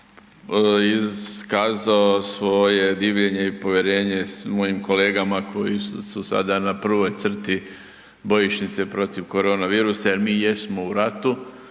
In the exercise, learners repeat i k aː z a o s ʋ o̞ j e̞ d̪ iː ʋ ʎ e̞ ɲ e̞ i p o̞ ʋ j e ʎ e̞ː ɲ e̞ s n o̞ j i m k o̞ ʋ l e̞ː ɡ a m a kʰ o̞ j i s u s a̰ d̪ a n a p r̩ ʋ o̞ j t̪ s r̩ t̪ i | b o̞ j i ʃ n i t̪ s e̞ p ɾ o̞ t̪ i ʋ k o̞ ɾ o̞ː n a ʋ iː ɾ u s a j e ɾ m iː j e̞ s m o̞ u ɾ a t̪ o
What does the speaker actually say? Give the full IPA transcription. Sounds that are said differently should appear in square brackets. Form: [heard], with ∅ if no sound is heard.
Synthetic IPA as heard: i k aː z a o s ʋ o̞ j e̞ d̪ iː ʋ ʎ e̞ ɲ e̞ i p o̞ ʋ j e [ɾ] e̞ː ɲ e̞ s [m] o̞ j i m k o̞ [∅] l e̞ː ɡ a m a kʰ o̞ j i s u s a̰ d̪ a n a p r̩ ʋ o̞ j t̪ s r̩ t̪ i | b o̞ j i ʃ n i t̪ s e̞ p ɾ o̞ t̪ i ʋ k o̞ ɾ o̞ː n a ʋ iː ɾ u s a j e ɾ m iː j e̞ s m o̞ u ɾ a t̪ [u]